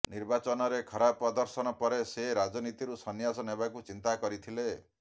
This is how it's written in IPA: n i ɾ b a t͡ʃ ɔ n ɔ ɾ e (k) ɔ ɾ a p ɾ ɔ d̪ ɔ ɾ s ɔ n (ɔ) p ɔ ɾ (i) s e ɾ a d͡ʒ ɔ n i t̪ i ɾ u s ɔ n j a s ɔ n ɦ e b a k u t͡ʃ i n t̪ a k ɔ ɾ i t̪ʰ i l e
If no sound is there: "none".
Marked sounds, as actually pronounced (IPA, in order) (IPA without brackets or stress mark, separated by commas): kʰ, ɔ, e